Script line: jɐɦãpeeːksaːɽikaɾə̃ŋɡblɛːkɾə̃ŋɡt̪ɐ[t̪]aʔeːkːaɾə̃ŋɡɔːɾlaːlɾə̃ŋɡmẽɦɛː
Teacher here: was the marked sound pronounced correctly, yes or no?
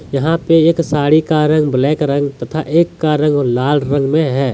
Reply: no